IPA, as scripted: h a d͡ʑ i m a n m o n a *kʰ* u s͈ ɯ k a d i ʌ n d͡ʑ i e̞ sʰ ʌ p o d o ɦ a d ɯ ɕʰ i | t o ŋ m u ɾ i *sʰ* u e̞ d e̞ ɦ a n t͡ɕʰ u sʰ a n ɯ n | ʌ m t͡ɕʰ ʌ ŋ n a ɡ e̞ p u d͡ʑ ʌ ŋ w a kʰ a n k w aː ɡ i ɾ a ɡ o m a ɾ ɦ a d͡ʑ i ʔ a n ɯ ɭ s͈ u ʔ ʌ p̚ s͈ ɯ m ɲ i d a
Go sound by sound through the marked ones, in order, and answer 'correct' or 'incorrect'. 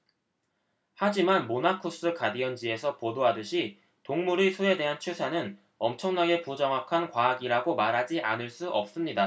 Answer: correct, correct

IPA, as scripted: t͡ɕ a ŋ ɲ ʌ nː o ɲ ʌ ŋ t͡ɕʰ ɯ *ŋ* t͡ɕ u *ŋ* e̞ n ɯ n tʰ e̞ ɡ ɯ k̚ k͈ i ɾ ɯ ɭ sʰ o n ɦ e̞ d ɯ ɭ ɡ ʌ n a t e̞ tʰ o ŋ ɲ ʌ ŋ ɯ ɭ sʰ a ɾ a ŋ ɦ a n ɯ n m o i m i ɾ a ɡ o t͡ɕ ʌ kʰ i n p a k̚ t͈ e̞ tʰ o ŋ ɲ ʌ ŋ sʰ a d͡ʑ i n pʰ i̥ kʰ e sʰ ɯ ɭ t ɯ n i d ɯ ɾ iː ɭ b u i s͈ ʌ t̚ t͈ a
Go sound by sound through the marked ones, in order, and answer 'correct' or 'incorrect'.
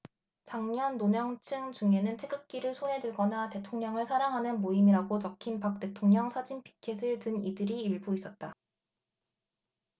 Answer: correct, correct

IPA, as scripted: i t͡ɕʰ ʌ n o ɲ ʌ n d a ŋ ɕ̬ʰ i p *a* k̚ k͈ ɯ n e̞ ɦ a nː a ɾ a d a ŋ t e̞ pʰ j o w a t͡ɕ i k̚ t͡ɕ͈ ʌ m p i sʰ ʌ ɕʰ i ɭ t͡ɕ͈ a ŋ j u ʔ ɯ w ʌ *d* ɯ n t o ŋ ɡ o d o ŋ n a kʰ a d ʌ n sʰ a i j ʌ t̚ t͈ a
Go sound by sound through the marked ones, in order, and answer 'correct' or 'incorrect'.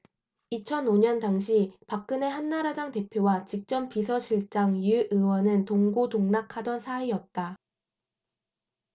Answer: correct, incorrect

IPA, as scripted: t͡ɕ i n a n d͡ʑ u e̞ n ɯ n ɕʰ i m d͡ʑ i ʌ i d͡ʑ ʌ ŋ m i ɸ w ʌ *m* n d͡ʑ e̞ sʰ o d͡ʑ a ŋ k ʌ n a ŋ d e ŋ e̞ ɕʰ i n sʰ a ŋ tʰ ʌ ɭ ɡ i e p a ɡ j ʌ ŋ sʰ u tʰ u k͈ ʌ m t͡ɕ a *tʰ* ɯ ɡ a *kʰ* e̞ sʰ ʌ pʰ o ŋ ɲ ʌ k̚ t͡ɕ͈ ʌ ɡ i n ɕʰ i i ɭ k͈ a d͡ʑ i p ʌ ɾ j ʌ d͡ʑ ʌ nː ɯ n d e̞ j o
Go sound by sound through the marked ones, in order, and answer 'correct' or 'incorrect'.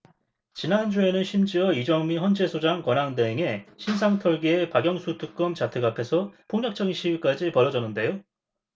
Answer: incorrect, correct, incorrect

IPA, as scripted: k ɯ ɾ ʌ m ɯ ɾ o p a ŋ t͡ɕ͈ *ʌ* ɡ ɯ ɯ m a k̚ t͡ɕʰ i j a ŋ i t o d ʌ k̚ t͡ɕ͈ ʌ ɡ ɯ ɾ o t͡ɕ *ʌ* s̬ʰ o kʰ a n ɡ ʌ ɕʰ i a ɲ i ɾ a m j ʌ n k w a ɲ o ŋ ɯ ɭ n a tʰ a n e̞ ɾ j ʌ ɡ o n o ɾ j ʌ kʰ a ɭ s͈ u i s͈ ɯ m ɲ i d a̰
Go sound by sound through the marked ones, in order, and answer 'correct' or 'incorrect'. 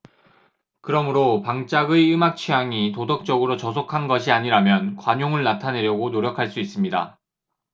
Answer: incorrect, correct

